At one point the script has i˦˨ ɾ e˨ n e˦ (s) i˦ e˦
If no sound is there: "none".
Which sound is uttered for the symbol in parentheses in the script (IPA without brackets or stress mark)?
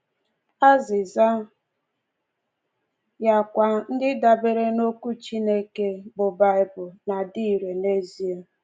z